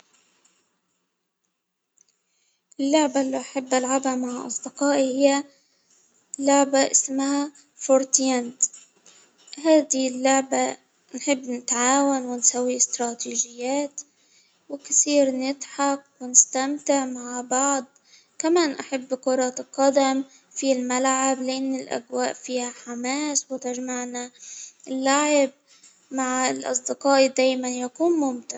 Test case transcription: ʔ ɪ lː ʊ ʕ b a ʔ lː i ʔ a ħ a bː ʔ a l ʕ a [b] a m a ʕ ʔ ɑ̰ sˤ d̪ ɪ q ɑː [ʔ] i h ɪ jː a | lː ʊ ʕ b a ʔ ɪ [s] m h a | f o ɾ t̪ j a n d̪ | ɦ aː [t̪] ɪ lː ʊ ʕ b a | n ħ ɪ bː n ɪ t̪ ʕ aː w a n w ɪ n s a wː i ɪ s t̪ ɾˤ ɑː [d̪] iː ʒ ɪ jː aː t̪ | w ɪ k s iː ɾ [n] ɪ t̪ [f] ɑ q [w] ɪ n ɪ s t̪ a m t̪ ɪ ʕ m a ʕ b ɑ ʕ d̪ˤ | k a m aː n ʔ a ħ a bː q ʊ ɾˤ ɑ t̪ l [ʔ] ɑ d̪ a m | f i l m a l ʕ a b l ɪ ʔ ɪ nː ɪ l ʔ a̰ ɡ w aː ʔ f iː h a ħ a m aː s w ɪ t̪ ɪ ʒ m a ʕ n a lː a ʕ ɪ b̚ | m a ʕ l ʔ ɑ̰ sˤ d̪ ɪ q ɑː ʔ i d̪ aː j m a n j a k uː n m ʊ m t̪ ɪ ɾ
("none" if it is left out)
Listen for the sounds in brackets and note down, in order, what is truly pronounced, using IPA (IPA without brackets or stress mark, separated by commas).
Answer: b, ʔ, s, d̪, t̪, n, ħ, w, q